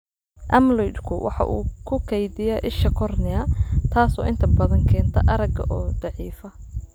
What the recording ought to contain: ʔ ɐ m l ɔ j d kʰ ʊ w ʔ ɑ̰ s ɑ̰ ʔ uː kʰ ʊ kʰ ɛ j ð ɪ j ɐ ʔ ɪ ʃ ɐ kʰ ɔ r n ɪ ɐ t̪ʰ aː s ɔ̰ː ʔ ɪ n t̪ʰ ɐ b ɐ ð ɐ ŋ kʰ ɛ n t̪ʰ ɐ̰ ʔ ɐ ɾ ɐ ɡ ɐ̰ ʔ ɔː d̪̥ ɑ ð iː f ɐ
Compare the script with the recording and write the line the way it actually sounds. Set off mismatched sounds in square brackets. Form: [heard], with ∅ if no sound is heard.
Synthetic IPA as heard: ʔ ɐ m l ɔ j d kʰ ʊ w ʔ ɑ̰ [ħ] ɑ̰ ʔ uː kʰ ʊ kʰ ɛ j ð ɪ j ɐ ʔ ɪ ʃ ɐ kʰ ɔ r n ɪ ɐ t̪ʰ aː s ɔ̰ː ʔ ɪ n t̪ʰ ɐ b ɐ ð ɐ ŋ kʰ [ɛː] n t̪ʰ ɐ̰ ʔ ɐ ɾ ɐ ɡ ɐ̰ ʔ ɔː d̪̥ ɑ [ʕ] iː f ɐ